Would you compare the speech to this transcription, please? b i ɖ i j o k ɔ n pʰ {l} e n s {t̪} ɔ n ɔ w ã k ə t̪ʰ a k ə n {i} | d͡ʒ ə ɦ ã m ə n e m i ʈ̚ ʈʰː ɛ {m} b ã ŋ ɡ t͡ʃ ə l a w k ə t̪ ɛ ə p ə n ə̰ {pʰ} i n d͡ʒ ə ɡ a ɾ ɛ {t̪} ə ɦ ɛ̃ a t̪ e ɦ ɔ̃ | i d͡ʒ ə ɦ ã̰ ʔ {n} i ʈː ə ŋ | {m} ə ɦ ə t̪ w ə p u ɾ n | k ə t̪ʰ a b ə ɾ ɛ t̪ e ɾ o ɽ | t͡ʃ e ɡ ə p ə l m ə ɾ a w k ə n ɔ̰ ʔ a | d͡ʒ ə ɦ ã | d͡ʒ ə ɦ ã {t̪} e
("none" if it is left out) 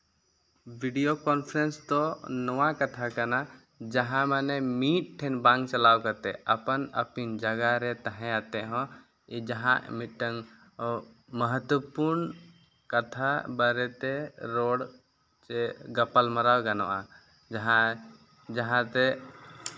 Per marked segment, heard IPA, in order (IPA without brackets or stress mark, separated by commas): ɾ, t̪, a, n, p, t̪, m, m, t̪